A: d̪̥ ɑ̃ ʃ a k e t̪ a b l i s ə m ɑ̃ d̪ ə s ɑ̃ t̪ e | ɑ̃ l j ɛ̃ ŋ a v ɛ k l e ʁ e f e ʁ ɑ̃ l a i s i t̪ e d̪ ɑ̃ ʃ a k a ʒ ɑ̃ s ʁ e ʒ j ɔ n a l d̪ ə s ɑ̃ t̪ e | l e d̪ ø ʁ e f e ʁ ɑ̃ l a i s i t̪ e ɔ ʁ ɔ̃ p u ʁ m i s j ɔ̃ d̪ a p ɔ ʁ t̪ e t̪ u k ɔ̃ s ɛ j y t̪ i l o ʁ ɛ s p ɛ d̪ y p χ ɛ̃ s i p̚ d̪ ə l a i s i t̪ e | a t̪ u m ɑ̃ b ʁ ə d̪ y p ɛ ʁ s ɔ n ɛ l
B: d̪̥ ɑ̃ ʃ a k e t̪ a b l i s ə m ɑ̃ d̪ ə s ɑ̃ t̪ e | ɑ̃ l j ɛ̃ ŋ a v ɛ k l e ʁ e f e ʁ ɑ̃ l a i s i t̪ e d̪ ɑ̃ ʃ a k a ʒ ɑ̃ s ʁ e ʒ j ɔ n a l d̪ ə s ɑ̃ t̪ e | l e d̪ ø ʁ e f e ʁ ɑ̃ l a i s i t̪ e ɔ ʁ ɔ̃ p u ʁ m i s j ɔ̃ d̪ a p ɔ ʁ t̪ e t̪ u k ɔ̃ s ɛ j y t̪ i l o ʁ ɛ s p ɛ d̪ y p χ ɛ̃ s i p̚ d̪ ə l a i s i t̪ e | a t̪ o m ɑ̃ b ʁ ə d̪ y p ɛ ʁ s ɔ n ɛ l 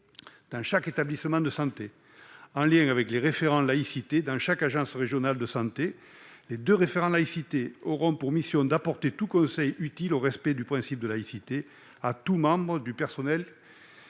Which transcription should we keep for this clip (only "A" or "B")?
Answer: A